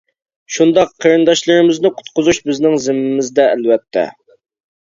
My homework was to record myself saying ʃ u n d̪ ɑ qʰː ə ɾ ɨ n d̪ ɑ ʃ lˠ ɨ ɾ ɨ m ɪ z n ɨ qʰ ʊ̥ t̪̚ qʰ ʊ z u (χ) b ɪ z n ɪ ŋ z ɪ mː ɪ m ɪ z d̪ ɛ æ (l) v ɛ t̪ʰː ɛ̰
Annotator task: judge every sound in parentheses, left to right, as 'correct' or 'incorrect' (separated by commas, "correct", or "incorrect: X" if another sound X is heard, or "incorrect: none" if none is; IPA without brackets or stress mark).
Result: incorrect: ʃ, correct